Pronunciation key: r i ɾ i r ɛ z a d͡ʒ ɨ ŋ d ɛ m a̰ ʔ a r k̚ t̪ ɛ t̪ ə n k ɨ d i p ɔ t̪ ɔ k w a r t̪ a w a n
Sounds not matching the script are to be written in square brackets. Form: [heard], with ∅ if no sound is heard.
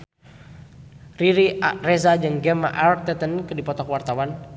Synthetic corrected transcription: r i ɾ i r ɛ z a d͡ʒ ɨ ŋ [ɡ] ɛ m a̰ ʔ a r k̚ t̪ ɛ t̪ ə n k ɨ d i p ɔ t̪ ɔ k w a r t̪ a w a n

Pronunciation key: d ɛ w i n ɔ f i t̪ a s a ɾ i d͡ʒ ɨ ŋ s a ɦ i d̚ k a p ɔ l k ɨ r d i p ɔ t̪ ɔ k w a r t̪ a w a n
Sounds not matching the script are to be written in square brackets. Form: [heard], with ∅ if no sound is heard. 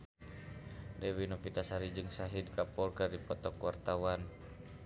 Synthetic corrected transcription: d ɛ w i n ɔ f i t̪ a s a ɾ i d͡ʒ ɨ ŋ s a ɦ i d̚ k a p ɔ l k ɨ r d i p ɔ t̪ ɔ k w a r t̪ a w a n

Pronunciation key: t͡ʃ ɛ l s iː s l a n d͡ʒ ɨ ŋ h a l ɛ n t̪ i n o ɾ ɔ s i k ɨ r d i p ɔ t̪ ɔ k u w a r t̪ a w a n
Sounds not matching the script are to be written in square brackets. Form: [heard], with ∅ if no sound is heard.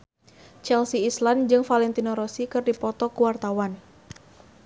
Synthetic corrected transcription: t͡ʃ ɛ l s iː s l a n d͡ʒ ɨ ŋ [f] a l ɛ n t̪ i n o ɾ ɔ s i k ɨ r d i p ɔ t̪ ɔ k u w a r t̪ a w a n

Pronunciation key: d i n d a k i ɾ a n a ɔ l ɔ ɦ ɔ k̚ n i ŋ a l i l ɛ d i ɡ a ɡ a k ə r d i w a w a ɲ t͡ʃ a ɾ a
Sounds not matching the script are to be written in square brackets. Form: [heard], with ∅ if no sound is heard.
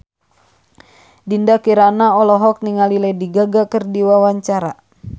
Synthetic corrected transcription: d i n d a k i ɾ a n a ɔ l ɔ ɦ ɔ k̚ n i ŋ a l i l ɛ d i ɡ a ɡ a k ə r d i w a w a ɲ t͡ʃ a ɾ a

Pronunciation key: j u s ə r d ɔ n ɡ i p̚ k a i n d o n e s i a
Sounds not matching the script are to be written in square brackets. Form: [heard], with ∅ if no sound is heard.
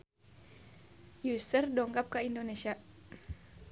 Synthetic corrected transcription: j u s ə r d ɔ [ŋ] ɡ [a] p̚ k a i n d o n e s i a

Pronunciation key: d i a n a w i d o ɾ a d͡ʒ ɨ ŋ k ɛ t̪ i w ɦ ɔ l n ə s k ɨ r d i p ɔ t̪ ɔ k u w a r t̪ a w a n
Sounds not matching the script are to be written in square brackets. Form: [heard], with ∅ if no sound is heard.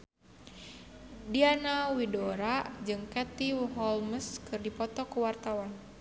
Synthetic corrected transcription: d i a n a w i d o ɾ a d͡ʒ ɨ ŋ k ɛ t̪ i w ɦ ɔ l [m] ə s k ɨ r d i p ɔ t̪ ɔ k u w a r t̪ a w a n

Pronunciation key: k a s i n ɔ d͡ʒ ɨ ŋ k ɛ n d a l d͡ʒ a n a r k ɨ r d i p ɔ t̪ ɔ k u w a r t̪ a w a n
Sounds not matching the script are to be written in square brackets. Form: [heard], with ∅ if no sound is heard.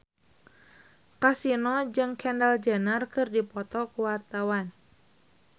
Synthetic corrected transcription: k a s i n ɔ d͡ʒ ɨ ŋ k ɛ n d a l d͡ʒ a n a r k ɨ r d i p ɔ t̪ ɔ k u w a r t̪ a w a n

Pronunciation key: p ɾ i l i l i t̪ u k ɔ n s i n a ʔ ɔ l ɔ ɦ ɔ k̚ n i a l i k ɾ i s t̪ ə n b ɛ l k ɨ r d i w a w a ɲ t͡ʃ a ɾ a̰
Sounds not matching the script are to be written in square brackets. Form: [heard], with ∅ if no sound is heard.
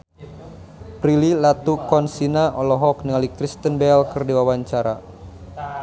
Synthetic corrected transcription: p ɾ i l i l [a] t̪ u k ɔ n s i n a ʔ ɔ l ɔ ɦ ɔ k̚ n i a l i k ɾ i s t̪ ə n b ɛ l k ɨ r d i w a w a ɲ t͡ʃ a ɾ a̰

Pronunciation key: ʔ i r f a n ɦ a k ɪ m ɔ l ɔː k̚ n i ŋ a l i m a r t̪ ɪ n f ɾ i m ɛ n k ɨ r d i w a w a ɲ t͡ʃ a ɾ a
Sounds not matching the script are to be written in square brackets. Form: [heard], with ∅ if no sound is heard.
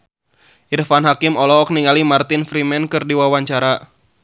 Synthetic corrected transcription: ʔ i r f a n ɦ a k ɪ m ɔ l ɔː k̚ n i ŋ a l i m a r t̪ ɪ n f ɾ i m ɛ n k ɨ r d i w a w a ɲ t͡ʃ a ɾ a

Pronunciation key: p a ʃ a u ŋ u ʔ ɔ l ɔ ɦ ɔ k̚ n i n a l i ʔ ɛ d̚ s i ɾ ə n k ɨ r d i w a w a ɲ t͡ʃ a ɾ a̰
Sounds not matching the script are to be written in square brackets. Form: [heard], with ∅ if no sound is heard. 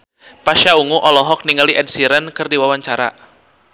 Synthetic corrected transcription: p a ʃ a u ŋ u ʔ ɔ l ɔ ɦ ɔ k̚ n i [ŋ] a l i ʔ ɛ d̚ s i ɾ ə n k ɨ r d i w a w a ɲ t͡ʃ a ɾ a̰

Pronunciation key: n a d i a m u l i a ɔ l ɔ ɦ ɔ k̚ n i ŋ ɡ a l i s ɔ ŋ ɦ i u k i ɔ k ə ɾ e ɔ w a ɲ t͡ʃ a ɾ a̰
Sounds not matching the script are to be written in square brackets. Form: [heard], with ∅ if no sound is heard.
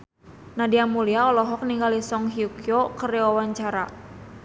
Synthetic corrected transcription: n a d i a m u l i a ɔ l ɔ ɦ ɔ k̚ n i ŋ ɡ a l i s ɔ ŋ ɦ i u k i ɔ k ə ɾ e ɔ w a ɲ t͡ʃ a ɾ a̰

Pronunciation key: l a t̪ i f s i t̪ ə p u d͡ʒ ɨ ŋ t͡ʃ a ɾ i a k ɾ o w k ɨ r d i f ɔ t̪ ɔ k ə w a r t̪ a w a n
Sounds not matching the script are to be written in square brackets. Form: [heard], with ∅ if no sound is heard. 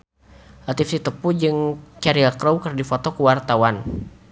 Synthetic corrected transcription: l a t̪ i f s i t̪ ə p u d͡ʒ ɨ ŋ t͡ʃ a ɾ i a k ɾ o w k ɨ r d i f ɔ t̪ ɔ k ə w a r t̪ a w a n

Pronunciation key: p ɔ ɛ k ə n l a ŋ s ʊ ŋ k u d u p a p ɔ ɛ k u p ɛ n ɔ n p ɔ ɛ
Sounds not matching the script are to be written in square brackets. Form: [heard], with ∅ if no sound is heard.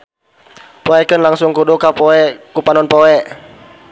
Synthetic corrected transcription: p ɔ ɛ k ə n l a ŋ s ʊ ŋ k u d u [k] a p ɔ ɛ k u p [a] n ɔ n p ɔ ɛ

